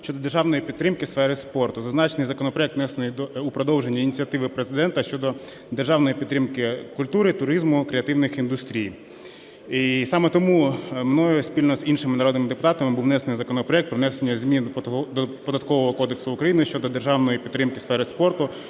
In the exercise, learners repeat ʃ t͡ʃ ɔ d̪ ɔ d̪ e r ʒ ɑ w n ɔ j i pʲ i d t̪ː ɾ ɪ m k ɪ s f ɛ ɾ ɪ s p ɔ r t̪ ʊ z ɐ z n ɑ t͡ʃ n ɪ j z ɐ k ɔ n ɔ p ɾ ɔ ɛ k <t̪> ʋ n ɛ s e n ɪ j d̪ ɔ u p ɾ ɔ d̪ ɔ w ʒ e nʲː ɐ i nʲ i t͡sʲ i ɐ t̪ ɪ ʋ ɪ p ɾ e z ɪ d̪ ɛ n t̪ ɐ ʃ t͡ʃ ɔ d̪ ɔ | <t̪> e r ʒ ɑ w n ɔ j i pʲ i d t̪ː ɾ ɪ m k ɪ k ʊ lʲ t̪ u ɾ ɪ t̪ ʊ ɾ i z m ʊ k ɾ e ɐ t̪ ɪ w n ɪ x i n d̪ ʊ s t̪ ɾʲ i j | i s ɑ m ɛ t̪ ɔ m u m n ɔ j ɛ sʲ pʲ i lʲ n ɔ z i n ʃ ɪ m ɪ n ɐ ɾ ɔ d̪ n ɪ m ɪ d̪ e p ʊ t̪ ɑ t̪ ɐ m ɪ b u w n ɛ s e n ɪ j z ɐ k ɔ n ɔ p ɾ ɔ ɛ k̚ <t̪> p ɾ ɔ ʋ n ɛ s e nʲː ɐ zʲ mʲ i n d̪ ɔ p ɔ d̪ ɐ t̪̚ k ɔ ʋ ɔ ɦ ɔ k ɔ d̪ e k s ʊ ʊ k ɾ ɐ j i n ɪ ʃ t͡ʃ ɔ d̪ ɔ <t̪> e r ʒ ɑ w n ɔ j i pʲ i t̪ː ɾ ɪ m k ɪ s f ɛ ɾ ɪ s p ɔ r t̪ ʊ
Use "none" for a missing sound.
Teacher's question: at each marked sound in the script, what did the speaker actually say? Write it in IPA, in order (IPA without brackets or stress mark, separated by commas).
t̪, d̪, t̪, d̪